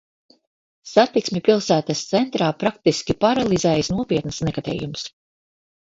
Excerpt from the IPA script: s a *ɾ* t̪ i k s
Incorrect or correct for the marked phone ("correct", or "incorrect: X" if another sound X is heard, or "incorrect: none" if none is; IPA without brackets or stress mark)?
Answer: incorrect: none